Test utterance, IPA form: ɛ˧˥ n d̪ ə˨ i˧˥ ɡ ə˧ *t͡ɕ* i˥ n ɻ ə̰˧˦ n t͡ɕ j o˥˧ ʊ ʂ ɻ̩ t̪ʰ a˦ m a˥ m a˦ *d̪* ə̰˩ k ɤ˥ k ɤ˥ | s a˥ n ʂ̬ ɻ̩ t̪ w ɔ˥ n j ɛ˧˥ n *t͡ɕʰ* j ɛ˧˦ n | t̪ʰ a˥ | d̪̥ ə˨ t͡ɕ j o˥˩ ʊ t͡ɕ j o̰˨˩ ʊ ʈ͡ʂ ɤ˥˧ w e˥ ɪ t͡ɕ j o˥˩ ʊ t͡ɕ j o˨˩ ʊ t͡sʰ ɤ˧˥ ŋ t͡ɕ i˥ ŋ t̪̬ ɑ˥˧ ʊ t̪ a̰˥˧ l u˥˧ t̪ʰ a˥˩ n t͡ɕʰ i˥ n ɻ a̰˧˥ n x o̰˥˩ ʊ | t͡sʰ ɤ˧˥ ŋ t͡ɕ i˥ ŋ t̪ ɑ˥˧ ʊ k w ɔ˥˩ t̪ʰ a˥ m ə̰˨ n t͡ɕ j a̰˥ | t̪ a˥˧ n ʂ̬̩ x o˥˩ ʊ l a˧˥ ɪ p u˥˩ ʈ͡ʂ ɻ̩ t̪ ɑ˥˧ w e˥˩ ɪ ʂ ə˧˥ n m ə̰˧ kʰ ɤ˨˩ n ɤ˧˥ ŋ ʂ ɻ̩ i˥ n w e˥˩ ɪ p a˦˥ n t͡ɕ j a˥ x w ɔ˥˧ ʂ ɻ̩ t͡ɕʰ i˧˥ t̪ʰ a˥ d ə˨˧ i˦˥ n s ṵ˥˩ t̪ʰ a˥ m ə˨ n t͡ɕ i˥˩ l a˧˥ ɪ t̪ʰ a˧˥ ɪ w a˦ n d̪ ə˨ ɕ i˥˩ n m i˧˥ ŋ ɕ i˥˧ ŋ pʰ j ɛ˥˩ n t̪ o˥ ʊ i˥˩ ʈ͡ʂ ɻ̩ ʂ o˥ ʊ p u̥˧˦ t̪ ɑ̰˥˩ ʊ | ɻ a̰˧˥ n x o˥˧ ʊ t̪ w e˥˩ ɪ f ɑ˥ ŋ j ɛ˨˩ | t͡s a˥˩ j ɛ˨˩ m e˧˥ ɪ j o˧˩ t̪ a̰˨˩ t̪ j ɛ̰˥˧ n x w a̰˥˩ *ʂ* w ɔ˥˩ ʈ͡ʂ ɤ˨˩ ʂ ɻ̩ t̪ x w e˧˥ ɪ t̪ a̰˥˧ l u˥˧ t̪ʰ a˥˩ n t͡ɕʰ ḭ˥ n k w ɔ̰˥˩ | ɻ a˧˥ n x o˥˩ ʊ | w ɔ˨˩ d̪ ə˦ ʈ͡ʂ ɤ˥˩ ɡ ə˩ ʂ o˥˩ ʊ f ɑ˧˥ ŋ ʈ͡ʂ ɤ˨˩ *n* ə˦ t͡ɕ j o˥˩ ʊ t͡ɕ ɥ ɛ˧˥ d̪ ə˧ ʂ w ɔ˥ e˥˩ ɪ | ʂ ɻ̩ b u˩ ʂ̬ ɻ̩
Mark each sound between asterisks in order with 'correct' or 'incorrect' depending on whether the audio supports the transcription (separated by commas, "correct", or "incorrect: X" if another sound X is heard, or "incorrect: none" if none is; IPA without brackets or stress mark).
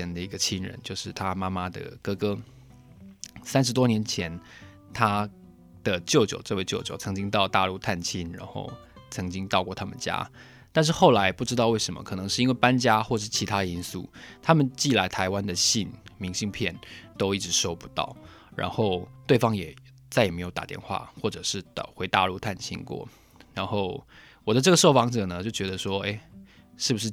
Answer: incorrect: t͡ɕʰ, correct, correct, incorrect: x, correct